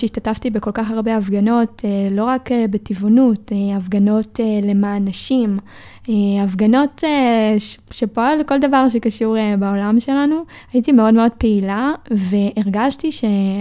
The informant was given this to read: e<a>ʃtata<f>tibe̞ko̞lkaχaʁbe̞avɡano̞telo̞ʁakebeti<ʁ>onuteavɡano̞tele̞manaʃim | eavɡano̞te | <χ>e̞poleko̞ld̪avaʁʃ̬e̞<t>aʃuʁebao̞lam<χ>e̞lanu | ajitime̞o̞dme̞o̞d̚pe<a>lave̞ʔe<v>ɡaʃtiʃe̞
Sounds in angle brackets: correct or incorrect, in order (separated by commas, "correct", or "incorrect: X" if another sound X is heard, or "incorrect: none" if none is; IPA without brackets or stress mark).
incorrect: i, correct, incorrect: v, incorrect: ʃ, incorrect: k, incorrect: ʃ, incorrect: i, incorrect: ʁ